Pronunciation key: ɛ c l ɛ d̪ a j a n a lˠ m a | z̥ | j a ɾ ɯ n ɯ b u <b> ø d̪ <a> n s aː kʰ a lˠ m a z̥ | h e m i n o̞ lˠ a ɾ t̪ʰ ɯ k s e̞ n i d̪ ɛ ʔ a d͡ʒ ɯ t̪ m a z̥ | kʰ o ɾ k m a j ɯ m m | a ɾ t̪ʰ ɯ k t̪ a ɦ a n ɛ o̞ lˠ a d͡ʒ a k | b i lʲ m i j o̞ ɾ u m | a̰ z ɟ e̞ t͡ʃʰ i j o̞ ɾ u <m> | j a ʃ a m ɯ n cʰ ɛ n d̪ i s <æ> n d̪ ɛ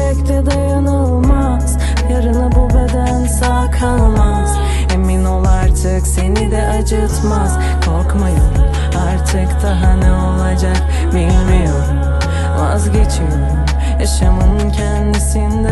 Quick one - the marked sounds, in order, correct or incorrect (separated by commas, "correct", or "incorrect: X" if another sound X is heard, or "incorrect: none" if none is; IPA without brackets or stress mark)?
correct, incorrect: æ, correct, incorrect: i